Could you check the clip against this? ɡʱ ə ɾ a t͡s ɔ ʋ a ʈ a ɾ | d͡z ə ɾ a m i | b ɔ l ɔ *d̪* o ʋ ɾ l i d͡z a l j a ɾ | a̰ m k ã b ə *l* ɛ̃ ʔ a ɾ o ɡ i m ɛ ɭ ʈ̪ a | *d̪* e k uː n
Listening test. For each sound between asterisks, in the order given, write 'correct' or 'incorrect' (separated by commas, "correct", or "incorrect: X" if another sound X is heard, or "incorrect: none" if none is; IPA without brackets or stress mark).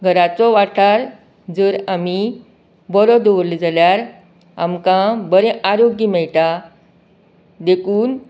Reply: correct, incorrect: ɾ, correct